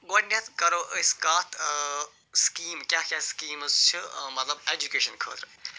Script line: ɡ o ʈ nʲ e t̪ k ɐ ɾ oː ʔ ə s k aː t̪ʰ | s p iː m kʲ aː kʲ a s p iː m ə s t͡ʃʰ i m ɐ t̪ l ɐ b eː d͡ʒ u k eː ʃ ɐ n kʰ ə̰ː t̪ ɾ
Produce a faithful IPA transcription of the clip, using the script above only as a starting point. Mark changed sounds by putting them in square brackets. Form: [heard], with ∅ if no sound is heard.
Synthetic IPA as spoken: ɡ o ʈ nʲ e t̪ k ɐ ɾ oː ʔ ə s k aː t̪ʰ | s [k] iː m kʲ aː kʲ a s [k] iː m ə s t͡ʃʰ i m ɐ t̪ l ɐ b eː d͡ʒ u k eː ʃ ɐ n kʰ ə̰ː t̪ ɾ